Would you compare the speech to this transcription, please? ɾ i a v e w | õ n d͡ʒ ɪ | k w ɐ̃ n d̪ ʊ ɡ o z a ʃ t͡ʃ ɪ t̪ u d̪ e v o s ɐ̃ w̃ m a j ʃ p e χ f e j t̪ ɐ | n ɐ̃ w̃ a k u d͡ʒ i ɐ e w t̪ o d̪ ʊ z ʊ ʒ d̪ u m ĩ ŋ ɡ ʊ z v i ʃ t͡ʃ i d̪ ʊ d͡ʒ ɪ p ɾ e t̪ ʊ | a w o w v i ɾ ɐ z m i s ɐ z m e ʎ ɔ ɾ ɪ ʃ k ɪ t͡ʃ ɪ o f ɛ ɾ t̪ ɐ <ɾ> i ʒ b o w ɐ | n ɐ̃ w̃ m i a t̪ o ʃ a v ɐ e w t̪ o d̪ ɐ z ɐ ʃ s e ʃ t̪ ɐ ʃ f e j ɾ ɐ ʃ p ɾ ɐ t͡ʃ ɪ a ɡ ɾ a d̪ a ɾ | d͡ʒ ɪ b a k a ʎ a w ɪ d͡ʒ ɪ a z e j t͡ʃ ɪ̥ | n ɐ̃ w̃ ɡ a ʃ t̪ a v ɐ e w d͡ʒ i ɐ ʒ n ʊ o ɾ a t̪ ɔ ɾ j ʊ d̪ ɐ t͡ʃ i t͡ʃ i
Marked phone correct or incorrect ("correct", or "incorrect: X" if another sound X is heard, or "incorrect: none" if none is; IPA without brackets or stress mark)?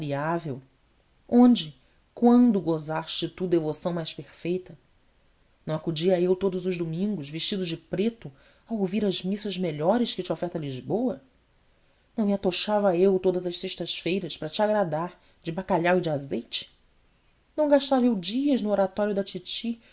incorrect: l